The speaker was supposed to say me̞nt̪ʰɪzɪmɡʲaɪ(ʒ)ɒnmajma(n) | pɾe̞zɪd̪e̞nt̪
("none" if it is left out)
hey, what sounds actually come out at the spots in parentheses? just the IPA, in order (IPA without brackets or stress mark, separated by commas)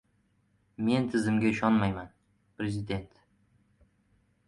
ʃ, n